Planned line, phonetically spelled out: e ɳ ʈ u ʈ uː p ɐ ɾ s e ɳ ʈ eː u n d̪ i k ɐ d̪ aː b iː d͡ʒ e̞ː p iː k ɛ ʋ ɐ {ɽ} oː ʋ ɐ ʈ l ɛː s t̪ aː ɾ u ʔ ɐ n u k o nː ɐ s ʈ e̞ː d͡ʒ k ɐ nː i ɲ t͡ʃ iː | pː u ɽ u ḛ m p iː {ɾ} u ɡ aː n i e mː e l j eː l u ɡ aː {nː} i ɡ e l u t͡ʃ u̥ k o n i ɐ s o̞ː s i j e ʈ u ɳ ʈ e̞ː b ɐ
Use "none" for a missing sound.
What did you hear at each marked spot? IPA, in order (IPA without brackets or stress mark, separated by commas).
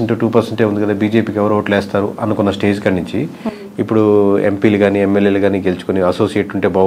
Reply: ɾ, l, n